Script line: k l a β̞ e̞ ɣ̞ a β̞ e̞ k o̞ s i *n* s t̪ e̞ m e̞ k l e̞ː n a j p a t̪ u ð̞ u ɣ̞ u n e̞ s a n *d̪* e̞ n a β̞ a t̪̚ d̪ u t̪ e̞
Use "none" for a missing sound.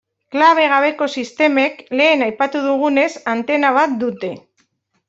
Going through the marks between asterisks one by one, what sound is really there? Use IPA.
none, t̪

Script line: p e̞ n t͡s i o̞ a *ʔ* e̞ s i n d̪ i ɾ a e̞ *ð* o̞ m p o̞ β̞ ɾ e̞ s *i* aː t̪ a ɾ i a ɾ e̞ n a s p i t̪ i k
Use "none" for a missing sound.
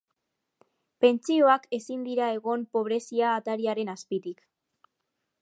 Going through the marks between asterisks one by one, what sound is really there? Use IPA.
k, ɣ, i

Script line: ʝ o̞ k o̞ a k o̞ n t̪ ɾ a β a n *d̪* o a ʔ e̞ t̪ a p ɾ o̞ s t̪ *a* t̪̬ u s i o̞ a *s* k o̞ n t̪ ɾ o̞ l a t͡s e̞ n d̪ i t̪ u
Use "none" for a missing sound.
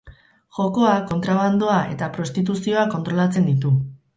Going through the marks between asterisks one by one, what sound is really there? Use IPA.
d̪, i, none

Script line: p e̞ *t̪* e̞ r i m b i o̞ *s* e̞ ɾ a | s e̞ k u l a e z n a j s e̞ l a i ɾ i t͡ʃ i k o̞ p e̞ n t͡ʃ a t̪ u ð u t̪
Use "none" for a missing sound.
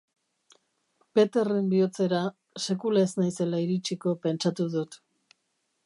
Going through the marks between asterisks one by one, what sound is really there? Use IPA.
t̪, t͡s

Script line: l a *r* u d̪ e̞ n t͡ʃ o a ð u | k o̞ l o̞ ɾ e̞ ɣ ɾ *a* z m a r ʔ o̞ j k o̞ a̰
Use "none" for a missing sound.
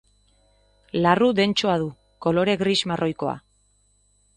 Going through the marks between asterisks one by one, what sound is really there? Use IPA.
r, i

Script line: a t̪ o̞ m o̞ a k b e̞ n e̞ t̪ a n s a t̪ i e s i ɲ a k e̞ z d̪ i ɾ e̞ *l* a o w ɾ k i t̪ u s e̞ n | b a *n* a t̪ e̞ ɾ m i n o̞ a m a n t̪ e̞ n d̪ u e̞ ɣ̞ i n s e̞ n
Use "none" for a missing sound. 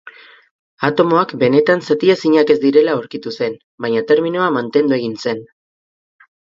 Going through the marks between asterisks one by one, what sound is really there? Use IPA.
l, ɲ

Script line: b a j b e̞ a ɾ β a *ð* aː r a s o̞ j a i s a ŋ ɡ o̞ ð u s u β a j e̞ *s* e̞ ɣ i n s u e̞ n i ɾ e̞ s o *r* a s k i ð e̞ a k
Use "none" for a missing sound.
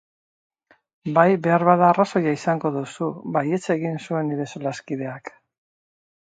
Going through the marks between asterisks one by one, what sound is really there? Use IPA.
ð, t͡s, l

